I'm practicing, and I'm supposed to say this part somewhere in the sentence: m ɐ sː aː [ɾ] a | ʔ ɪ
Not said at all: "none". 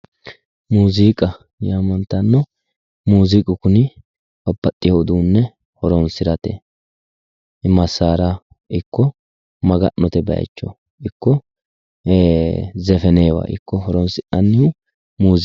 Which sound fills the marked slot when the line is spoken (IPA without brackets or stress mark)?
ɾ